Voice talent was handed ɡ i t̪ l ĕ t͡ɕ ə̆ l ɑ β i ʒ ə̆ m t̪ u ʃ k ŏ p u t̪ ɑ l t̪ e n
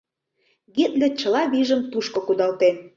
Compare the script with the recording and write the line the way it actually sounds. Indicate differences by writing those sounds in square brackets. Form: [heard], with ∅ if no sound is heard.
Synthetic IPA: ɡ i t̪ l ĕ t͡ɕ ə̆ l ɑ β i ʒ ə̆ m t̪ u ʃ k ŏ [k] u [d̪] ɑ l t̪ e n